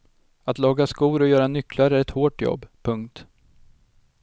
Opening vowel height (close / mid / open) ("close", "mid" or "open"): open